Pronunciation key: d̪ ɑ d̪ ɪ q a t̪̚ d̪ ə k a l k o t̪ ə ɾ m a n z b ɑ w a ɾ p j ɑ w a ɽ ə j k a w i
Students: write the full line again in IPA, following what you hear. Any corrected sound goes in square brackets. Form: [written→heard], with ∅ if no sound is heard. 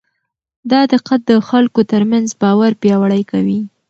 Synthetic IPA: d̪ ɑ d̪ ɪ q a t̪̚ d̪ ə [k→x] a l k o t̪ ə ɾ m a n z b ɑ w a ɾ p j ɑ w a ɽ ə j k a w i

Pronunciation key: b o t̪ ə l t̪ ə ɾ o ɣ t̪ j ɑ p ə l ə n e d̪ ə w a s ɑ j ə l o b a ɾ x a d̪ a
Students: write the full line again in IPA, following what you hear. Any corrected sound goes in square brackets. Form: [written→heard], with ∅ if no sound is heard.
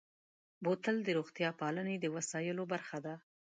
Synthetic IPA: b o t̪ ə l [t̪→d̪] ə ɾ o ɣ t̪ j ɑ p [ə→ɑ] l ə n e d̪ ə w a s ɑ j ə l o b a ɾ x a d̪ a

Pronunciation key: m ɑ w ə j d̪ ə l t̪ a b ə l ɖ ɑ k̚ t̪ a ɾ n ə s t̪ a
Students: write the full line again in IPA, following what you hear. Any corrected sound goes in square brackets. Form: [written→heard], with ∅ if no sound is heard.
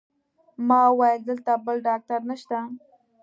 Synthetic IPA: m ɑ w [ə→ɑ] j d̪ ə l t̪ a b ə l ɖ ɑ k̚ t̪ a ɾ n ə [s→ʃ] t̪ a

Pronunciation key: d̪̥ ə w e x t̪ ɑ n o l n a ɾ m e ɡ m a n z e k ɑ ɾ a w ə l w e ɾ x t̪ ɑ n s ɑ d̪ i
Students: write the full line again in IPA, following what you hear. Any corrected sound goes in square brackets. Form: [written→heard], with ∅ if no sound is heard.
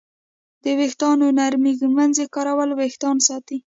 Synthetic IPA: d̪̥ ə w e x t̪ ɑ n o [l→∅] n a ɾ m [e→i] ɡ m a n z e k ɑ ɾ a w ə l w e [ɾ→∅] x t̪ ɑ n s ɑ [d̪→t̪] i

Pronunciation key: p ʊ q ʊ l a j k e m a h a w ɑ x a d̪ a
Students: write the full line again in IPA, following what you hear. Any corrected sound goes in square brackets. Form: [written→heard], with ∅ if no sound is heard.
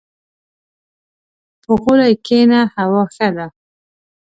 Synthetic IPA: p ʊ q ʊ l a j k e [m→n] a h a w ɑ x a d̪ a

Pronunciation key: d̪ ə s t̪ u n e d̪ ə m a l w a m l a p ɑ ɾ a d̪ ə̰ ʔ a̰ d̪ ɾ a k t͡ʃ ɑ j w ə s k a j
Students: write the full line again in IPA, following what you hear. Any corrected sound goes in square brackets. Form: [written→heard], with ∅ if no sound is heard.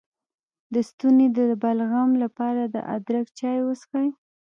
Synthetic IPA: d̪ ə s t̪ u n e d̪ ə [m→b] a l [w→ɣ] a m l a p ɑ ɾ a d̪ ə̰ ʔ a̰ d̪ ɾ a k t͡ʃ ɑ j w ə s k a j

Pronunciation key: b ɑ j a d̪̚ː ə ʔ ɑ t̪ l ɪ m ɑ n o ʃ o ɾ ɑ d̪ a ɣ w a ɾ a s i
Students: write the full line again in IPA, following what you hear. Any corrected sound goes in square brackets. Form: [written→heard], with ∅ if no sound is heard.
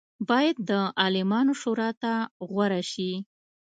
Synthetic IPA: b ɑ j a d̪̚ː ə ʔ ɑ [t̪→∅] l ɪ m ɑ n o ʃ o ɾ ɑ [d̪→t̪] a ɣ w a ɾ a [s→ʃ] i

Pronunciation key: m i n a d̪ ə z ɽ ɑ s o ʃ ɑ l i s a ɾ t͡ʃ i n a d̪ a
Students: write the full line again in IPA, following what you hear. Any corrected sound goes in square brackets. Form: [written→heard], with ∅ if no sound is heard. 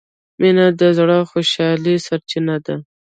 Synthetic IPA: m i n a d̪ ə z ɽ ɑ [s→x] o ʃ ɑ l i s a ɾ t͡ʃ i n a d̪ a

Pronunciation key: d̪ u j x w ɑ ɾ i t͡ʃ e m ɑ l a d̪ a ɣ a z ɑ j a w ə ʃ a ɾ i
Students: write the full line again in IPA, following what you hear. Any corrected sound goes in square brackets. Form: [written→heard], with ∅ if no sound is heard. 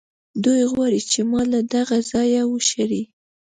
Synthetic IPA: d̪ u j [x→ɣ] w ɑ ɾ i t͡ʃ e m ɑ l a d̪ a ɣ a z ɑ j a w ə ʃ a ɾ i

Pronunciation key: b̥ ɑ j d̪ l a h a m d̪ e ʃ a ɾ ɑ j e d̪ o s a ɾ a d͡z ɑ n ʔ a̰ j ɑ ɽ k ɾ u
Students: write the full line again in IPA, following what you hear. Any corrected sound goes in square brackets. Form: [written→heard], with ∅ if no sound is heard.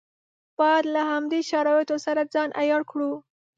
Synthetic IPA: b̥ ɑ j d̪ l a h a m d̪ e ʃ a ɾ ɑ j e [d̪→t̪] o s a ɾ a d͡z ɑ n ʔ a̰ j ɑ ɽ k [ɾ→ɽ] u

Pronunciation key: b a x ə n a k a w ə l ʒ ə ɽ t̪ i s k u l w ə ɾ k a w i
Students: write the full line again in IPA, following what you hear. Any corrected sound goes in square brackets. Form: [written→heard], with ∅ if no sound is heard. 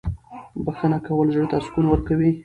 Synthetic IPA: b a x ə n a k a w ə l ʒ ə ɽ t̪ [i→a] s k u l w ə ɾ k a w i

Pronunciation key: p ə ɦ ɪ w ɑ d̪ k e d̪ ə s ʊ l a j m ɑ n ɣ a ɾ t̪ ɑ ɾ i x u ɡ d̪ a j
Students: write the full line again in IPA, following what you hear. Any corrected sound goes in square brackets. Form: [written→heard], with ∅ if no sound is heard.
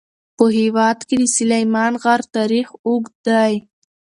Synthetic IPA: p ə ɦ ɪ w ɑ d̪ k e d̪ ə s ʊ l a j m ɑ n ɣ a ɾ t̪ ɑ ɾ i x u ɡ d̪ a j

